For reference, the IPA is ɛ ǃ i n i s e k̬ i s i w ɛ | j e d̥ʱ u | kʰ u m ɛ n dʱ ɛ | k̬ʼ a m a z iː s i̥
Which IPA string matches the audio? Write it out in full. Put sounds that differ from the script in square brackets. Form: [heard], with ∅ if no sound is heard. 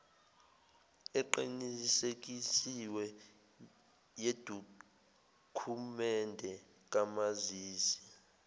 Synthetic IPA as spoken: ɛ ǃ i n i s e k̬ i s i w ɛ | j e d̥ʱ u | kʰ u m ɛ n dʱ ɛ | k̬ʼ a m a z iː s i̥